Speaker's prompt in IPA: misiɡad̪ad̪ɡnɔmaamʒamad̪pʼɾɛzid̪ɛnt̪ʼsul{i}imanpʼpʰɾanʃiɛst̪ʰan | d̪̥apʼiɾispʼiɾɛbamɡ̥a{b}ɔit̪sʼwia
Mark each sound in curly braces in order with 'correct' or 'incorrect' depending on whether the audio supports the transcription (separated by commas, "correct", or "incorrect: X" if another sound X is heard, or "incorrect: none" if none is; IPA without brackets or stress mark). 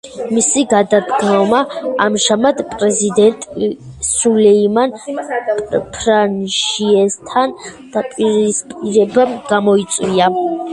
incorrect: ɛ, incorrect: m